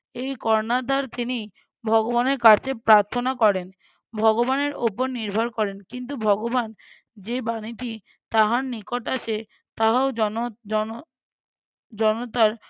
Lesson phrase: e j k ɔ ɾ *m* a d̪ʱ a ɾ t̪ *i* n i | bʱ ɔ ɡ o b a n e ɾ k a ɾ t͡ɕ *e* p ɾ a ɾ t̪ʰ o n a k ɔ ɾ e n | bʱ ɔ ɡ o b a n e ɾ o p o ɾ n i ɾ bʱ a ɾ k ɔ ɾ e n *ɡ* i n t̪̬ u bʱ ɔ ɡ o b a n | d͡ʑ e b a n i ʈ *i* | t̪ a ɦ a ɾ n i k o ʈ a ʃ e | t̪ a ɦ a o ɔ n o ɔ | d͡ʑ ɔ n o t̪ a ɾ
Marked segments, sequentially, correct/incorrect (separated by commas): incorrect, correct, correct, incorrect, correct